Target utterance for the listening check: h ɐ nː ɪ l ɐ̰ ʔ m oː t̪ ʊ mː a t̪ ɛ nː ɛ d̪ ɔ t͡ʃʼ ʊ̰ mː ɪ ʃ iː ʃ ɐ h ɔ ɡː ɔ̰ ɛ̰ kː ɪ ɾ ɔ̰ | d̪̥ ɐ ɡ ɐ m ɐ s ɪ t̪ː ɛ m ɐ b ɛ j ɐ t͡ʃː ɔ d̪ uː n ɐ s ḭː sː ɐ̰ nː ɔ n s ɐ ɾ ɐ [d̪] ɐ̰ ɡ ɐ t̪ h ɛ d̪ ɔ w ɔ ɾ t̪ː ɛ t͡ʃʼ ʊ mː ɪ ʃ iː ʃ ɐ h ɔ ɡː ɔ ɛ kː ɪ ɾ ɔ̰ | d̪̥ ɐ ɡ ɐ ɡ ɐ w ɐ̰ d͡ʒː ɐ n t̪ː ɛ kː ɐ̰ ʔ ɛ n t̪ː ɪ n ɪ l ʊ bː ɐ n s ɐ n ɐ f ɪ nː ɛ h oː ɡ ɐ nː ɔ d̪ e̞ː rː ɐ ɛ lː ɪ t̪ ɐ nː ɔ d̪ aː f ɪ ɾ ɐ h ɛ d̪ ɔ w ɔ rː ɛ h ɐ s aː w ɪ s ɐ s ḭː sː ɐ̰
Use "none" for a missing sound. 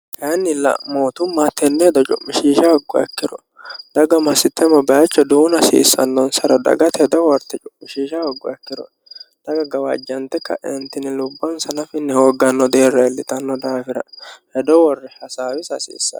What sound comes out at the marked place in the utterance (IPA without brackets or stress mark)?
d̪